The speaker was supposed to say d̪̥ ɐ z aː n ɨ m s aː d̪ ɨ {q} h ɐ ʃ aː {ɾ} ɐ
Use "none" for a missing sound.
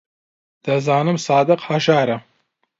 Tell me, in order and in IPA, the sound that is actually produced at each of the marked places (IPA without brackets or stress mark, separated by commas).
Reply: q, ɾ